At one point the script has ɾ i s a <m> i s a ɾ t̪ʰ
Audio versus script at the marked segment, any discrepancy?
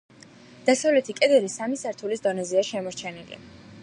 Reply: no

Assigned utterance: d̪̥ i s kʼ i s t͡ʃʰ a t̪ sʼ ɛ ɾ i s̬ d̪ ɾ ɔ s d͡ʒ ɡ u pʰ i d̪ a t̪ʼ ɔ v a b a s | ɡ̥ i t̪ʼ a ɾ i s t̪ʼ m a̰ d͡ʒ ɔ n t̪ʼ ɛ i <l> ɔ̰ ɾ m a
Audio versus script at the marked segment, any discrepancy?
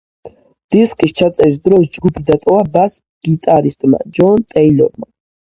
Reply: no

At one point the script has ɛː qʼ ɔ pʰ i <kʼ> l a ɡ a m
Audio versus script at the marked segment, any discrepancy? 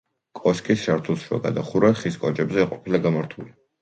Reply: yes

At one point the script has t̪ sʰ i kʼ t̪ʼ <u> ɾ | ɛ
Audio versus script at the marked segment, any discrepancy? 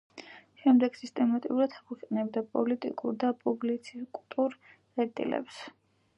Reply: no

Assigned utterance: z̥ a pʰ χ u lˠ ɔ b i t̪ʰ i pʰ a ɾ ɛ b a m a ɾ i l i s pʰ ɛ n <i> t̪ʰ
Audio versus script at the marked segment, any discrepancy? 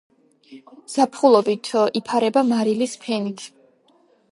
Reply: no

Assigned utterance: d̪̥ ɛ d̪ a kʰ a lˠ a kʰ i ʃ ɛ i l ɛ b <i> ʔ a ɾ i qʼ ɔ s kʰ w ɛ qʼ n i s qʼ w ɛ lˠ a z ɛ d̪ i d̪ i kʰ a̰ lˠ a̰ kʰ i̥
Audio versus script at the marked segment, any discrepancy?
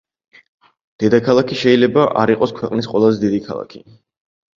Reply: yes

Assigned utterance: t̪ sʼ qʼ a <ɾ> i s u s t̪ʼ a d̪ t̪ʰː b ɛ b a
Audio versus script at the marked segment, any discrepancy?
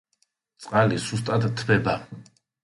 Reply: yes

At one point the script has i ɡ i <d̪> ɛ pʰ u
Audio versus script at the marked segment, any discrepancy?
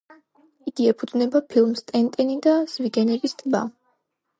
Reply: yes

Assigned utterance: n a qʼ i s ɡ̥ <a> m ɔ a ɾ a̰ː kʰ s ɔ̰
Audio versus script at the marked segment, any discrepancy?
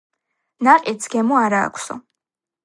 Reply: yes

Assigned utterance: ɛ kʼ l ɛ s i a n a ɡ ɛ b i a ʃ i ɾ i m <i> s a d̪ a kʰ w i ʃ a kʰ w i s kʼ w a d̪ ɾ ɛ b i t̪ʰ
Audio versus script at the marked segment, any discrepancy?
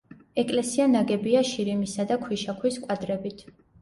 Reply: no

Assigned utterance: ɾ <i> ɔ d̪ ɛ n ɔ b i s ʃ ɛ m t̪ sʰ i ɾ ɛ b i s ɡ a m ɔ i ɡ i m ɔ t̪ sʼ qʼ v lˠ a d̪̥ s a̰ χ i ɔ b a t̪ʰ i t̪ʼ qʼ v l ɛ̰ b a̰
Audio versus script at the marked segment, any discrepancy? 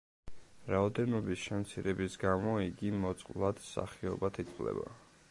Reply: yes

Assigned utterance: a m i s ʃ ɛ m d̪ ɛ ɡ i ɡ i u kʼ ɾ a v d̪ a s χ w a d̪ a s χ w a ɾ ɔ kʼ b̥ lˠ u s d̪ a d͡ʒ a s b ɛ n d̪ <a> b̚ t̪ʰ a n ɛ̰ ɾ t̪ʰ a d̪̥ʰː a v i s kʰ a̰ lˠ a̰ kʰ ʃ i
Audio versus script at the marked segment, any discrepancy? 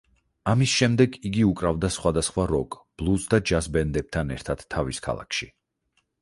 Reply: yes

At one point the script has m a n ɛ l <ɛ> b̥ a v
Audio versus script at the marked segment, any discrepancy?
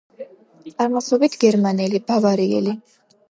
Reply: yes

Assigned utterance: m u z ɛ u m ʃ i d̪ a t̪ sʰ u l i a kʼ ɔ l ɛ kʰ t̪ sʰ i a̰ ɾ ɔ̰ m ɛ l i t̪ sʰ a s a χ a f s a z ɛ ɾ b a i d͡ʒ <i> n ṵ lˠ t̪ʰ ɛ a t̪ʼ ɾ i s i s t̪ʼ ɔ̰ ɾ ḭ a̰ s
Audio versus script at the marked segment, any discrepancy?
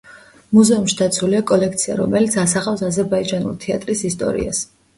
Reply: yes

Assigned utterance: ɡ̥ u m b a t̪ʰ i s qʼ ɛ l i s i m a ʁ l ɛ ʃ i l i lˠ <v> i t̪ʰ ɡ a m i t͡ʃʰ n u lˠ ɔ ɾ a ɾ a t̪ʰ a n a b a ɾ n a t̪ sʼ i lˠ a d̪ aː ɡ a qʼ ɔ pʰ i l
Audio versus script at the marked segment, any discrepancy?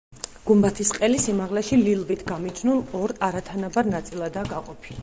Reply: no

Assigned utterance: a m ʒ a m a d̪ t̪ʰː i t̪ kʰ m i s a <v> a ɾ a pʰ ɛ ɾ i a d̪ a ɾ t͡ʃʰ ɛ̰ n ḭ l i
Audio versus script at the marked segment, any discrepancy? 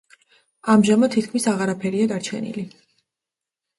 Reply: yes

